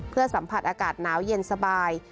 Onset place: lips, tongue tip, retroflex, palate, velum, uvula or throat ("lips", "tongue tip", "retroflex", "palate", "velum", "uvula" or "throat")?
lips